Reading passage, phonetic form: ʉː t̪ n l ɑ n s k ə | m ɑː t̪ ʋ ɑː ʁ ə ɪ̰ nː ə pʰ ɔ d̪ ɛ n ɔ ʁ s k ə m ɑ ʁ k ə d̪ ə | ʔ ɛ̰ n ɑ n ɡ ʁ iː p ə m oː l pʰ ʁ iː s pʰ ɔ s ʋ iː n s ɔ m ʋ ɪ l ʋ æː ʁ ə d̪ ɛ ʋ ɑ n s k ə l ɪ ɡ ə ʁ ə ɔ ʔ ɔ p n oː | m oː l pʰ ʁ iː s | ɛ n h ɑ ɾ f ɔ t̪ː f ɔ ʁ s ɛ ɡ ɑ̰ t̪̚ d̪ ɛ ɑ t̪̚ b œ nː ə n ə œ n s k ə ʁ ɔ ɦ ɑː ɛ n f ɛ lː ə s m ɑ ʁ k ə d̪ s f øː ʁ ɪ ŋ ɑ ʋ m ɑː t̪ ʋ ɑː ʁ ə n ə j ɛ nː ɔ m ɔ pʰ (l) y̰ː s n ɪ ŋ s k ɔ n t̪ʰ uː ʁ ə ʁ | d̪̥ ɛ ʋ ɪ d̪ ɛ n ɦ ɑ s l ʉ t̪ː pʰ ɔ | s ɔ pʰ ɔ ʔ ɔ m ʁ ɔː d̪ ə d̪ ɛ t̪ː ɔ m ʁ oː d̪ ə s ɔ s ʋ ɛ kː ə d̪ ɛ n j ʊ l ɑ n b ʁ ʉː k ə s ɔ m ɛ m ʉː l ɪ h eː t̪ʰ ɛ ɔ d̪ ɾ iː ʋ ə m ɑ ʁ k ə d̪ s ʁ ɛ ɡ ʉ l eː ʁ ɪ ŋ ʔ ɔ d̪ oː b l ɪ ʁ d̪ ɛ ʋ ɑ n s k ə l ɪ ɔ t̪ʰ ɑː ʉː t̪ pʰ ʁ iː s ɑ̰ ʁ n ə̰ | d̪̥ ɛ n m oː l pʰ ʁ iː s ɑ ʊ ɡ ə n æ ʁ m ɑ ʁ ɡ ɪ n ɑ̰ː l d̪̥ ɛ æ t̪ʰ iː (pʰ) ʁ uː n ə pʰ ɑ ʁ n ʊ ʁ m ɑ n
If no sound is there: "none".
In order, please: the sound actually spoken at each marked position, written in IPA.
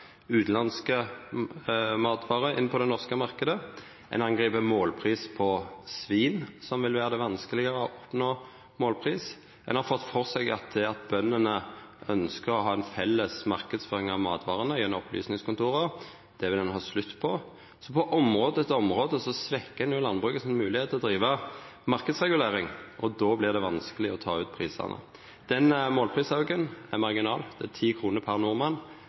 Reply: l, kʰ

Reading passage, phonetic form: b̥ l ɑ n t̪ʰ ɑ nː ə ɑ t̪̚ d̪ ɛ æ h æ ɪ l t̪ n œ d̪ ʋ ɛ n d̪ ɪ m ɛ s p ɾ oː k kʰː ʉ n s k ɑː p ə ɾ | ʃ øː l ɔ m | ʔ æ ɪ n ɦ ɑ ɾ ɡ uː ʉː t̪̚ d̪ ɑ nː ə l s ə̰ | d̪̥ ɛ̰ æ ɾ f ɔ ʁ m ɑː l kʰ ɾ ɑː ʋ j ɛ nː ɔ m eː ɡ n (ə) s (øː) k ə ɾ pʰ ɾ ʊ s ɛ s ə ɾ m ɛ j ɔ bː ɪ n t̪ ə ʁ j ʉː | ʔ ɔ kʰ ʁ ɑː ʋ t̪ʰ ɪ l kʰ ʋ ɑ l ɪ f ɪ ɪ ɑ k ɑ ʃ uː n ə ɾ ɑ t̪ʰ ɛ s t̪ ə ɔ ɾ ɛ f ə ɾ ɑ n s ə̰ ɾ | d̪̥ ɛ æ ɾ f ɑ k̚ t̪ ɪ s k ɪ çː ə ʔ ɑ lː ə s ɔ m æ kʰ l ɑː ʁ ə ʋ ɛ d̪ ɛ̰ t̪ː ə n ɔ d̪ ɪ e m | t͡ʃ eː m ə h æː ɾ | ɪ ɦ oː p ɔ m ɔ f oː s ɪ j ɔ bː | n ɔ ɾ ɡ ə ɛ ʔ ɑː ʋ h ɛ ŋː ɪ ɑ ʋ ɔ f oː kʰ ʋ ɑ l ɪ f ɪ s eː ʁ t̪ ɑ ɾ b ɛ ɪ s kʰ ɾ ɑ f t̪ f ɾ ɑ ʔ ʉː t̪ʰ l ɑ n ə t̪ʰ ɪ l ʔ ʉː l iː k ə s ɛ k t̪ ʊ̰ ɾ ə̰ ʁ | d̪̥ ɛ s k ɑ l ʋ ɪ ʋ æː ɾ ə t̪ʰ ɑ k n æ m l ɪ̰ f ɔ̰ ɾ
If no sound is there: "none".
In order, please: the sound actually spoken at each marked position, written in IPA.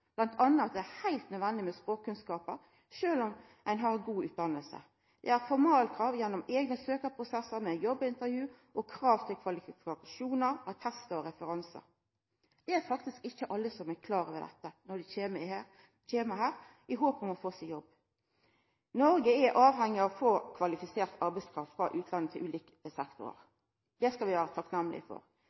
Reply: ə, øː

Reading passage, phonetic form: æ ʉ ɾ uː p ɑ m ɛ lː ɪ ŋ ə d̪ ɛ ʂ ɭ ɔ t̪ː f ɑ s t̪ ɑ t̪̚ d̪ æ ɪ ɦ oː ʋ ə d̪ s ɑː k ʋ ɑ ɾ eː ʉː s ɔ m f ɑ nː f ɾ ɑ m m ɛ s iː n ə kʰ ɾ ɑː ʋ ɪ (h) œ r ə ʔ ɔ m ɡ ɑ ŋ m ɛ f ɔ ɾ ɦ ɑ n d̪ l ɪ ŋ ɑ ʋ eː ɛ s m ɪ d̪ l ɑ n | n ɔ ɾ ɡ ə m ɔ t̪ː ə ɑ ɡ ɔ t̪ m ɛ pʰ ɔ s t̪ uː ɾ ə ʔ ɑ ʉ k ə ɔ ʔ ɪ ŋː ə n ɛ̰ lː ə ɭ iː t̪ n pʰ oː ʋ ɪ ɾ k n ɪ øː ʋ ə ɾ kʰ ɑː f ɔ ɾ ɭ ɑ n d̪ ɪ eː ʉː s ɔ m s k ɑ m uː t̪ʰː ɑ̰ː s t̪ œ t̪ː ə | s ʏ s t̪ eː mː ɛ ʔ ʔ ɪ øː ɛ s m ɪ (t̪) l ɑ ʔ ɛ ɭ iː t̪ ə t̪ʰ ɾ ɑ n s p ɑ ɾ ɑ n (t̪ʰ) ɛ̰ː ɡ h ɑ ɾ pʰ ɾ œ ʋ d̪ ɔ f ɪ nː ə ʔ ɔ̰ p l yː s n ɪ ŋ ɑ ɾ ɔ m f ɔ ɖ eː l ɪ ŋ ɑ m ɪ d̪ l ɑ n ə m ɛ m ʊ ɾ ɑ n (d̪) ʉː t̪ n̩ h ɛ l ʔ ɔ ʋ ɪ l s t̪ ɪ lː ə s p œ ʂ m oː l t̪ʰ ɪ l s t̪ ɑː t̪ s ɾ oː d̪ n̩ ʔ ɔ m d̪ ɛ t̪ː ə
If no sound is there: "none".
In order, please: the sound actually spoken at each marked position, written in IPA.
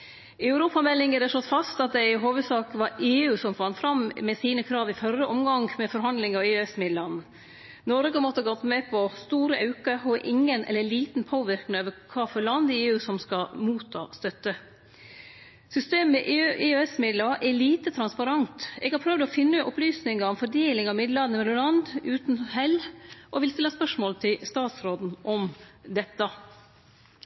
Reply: f, d̪, t̪, d̪

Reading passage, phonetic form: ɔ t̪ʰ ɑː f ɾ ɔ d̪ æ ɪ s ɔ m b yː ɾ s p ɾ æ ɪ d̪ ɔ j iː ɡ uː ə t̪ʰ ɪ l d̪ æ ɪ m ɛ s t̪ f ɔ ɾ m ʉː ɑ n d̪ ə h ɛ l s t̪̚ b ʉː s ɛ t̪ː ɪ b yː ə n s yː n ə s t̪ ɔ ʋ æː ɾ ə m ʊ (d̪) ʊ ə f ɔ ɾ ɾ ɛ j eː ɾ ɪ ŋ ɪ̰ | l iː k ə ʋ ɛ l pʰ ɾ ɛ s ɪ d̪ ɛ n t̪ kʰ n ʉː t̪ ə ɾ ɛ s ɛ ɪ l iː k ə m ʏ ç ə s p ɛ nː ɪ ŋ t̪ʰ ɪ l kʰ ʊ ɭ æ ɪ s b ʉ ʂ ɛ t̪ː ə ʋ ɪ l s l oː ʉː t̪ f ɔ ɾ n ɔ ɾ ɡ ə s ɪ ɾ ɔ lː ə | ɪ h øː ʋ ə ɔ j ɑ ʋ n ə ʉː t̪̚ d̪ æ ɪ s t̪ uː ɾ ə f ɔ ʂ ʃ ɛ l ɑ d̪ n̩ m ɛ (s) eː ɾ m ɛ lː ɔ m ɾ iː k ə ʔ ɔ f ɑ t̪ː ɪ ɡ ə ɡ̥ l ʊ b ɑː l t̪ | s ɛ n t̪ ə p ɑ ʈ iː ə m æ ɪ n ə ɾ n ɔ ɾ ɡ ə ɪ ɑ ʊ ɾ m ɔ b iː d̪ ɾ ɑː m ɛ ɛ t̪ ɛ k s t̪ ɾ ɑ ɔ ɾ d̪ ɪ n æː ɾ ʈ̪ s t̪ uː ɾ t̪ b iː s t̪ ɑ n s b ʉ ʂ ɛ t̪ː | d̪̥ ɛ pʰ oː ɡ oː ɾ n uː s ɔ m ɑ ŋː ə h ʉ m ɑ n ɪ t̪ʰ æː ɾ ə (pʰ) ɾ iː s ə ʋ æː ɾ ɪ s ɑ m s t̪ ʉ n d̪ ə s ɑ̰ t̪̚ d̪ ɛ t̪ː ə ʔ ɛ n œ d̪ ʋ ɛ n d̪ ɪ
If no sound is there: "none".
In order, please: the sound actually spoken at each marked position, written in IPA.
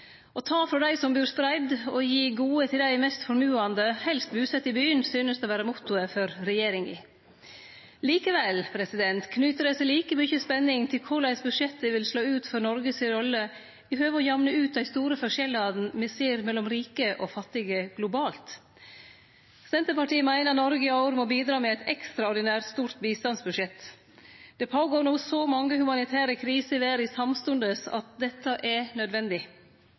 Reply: t̪, s, kʰ

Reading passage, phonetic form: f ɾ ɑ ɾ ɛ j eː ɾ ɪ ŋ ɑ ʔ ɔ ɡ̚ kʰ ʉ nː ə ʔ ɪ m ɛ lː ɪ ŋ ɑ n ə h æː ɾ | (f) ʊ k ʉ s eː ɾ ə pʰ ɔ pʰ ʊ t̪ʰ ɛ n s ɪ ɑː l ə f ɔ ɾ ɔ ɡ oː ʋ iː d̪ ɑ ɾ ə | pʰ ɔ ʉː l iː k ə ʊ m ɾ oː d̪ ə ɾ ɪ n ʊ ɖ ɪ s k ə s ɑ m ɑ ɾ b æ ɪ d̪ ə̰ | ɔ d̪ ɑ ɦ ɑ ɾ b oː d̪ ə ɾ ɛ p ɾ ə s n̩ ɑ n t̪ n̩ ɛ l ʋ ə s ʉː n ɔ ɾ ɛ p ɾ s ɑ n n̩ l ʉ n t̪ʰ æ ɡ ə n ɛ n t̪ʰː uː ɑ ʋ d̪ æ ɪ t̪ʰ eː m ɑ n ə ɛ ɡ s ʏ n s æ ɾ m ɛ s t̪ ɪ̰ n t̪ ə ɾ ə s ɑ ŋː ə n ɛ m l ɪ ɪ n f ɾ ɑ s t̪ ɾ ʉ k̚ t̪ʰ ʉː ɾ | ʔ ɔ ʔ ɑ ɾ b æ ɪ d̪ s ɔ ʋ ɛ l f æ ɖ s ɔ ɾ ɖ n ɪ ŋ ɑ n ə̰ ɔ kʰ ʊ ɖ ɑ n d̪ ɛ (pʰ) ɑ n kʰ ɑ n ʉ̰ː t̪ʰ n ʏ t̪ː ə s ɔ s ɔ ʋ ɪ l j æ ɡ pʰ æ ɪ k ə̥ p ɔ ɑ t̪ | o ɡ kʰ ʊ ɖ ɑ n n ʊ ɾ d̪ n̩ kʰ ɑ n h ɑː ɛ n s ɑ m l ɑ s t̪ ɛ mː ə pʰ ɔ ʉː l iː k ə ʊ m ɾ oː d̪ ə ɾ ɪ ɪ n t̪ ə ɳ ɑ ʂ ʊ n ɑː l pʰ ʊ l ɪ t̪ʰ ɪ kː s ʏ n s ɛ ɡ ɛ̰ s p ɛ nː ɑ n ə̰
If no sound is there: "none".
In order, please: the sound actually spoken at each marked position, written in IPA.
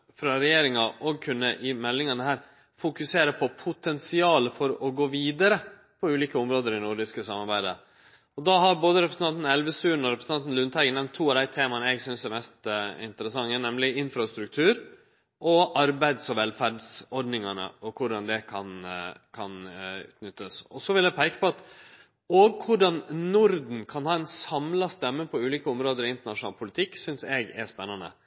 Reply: f, kʰ

